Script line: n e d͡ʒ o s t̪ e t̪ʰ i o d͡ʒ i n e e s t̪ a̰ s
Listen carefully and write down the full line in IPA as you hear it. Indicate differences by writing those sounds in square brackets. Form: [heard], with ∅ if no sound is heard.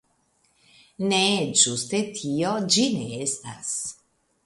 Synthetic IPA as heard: n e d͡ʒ [u] s t̪ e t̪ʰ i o d͡ʒ i n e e s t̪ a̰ s